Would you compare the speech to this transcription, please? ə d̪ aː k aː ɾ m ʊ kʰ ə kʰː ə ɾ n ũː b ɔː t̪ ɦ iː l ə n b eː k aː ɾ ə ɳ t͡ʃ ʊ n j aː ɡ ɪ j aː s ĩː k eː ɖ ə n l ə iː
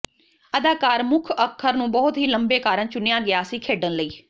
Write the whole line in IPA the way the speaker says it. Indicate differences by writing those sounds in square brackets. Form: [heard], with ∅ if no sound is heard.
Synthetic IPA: ə d̪ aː k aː ɾ m ʊ kʰ ə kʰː ə ɾ n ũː b ɔː t̪ ɦ iː l ə [m] b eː k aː ɾ ə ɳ t͡ʃ ʊ n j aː ɡ ɪ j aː s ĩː [kʰ] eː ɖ ə n l ə iː